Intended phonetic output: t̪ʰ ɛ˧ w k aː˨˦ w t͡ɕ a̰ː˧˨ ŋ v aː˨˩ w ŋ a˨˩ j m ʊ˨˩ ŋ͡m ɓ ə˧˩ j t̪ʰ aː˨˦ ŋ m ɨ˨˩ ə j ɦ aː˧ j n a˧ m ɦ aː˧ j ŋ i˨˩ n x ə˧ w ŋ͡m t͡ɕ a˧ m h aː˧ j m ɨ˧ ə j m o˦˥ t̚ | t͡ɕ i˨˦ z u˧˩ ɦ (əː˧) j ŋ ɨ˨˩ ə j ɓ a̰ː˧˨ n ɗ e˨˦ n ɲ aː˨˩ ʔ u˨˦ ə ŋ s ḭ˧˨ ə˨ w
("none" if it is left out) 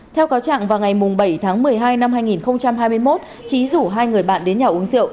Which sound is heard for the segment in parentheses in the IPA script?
aː˧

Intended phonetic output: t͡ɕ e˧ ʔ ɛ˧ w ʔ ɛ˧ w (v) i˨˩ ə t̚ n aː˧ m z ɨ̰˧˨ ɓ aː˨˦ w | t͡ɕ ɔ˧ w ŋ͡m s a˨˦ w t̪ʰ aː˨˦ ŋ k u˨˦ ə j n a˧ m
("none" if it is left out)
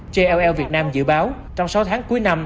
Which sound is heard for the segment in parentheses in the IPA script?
v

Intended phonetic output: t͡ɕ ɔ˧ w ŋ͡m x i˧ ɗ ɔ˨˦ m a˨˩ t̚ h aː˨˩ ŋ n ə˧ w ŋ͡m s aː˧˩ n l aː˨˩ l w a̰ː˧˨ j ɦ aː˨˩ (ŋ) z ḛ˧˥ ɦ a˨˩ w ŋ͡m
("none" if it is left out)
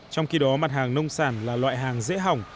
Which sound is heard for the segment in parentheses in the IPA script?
ŋ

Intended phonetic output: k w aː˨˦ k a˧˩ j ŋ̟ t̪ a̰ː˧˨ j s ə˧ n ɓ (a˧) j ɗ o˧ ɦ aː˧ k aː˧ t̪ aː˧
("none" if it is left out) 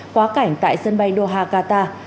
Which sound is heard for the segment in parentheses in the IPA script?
a˧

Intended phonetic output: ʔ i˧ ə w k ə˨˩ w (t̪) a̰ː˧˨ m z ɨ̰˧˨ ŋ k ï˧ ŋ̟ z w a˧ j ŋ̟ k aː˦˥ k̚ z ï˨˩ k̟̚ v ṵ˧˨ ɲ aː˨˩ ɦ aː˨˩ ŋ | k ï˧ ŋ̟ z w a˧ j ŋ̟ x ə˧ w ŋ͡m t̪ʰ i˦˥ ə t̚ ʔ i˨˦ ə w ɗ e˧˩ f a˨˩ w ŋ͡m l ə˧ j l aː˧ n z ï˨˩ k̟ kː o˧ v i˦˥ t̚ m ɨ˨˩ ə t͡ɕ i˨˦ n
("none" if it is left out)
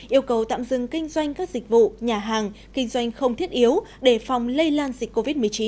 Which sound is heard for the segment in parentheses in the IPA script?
t̪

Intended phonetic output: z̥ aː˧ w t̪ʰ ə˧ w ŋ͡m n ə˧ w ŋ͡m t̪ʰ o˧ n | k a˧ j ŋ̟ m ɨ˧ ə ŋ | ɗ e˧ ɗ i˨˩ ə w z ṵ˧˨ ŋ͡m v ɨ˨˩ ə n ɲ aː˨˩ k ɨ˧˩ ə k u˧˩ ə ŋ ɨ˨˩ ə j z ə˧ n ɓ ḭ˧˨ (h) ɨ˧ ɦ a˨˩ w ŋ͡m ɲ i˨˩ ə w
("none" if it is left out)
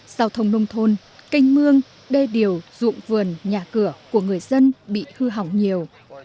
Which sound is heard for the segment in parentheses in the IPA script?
h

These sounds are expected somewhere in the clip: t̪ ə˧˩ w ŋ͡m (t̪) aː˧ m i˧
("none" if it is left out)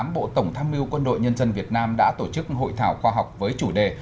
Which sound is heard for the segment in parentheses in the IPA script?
t̪ʰ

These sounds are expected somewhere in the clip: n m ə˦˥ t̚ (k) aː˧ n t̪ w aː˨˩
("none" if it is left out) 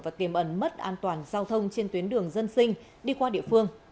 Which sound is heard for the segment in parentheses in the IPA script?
ʔ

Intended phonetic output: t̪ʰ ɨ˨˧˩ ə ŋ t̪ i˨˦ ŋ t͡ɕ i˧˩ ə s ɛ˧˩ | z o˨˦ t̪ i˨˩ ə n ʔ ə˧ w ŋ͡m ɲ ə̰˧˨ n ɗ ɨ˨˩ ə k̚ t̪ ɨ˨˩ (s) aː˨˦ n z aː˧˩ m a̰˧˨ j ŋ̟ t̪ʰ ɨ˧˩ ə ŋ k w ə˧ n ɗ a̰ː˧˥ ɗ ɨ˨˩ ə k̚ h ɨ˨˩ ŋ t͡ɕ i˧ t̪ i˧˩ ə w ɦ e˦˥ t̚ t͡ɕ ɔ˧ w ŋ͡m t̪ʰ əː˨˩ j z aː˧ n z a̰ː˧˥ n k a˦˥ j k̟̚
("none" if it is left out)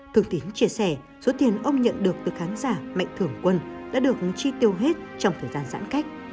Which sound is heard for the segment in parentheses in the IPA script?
x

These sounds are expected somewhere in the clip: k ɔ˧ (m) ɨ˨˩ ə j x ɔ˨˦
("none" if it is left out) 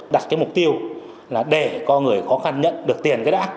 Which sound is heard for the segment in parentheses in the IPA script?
ŋ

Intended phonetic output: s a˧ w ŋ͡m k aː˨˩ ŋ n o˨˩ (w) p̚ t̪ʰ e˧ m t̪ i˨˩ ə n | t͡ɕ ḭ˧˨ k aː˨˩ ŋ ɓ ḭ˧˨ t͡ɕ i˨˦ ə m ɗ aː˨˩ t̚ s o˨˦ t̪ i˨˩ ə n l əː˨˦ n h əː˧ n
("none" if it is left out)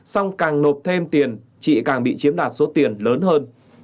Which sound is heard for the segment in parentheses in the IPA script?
none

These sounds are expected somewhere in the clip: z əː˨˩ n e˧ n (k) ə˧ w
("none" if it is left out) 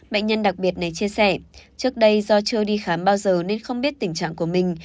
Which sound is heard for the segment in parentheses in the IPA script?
x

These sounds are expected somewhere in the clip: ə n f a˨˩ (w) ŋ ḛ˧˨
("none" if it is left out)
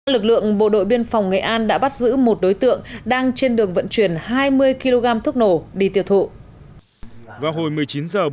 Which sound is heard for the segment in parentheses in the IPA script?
w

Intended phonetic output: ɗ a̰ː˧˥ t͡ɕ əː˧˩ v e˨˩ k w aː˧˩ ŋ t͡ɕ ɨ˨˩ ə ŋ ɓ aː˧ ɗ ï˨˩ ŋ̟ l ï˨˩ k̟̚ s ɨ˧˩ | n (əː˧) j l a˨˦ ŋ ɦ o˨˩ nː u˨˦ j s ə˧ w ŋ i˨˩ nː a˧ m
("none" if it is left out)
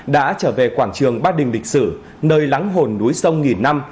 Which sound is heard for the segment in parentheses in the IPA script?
əː˧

